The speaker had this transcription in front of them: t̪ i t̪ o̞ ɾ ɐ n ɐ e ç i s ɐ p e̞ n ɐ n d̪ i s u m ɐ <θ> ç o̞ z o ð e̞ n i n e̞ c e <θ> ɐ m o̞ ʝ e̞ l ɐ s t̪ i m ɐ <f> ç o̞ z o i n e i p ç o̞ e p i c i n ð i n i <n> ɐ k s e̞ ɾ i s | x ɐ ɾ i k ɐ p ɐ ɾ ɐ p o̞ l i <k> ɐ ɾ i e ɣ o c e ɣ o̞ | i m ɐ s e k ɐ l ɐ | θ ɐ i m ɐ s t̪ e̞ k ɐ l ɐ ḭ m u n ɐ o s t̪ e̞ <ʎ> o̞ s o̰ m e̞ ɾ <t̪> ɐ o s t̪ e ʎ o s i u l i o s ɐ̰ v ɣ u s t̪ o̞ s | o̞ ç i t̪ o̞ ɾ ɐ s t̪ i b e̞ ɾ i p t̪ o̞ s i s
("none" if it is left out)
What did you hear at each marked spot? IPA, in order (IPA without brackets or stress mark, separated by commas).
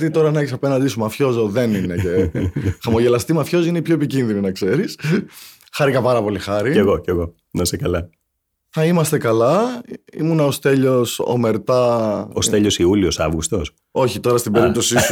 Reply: f, x, f, n, x, ʎ, t̪